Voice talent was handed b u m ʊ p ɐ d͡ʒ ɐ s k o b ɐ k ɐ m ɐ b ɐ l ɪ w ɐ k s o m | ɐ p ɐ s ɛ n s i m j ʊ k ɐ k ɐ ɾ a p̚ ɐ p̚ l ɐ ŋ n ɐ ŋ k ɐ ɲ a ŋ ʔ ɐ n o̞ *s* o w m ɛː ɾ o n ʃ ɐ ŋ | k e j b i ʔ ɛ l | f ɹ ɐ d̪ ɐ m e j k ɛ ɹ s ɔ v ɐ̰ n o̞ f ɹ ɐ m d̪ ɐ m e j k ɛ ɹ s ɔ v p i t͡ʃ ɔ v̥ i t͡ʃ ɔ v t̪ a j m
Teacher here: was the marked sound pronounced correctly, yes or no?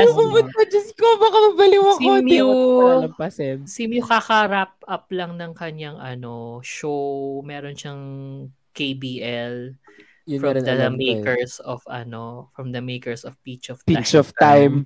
no